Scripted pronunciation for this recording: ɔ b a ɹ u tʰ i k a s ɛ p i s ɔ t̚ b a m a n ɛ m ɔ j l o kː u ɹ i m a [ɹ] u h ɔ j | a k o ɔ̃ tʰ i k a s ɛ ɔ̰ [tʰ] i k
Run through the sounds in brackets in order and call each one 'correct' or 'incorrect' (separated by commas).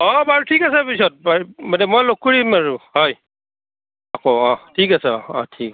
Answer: correct, correct